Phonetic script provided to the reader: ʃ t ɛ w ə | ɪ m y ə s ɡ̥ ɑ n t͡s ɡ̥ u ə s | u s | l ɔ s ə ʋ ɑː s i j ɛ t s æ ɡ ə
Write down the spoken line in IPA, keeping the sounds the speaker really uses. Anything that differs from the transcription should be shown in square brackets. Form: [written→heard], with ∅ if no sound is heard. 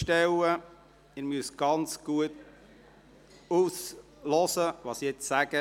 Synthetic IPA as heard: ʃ t ɛ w ə | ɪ m y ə s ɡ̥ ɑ n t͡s ɡ̥ u ə [s→t] | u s | l ɔ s ə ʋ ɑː s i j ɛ [t→t͡s] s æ ɡ ə